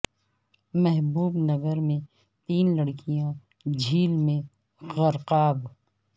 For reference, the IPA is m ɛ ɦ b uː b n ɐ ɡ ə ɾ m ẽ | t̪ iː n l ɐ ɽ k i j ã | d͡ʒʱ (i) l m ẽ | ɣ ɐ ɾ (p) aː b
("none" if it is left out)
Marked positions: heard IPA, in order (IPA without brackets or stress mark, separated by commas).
iː, q